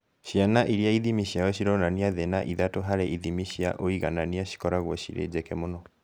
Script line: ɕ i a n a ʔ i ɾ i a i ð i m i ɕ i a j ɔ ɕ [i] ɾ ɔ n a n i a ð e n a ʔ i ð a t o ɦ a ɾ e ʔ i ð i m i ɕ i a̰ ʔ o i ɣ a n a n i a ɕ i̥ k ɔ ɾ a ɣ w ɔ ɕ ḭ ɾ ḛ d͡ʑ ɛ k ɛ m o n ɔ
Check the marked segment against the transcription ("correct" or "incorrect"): correct